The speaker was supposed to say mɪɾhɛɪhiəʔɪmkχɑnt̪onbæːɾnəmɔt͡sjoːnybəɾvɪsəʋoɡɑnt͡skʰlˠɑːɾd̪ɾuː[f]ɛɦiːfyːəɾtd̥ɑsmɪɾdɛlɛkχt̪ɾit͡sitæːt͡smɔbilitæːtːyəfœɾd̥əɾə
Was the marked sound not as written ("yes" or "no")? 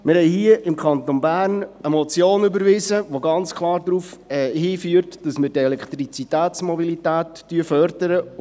no